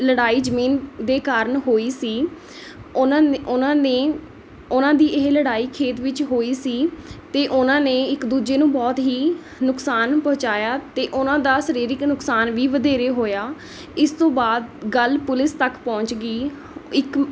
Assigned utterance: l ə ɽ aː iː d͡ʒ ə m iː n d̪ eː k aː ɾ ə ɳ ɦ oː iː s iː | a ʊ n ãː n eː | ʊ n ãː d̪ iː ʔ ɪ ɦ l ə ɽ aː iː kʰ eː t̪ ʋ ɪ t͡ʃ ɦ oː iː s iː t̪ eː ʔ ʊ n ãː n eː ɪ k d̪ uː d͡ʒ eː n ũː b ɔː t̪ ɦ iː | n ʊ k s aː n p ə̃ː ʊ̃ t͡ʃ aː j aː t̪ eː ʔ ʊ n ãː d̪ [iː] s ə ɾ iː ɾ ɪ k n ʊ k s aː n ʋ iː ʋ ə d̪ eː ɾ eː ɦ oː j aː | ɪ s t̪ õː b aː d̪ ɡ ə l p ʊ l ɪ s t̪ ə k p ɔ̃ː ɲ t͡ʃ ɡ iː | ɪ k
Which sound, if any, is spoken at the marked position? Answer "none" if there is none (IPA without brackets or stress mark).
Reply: aː